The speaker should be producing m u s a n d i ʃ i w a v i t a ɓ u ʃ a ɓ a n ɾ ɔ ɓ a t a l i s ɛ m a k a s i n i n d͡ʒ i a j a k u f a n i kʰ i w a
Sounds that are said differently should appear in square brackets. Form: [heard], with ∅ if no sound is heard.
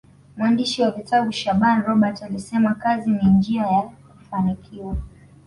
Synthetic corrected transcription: m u [∅] a n d i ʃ i w a v i t a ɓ u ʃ a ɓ a n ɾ ɔ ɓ a t a l i s ɛ m a k a [z] i n i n d͡ʒ i a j a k u f a n i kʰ i w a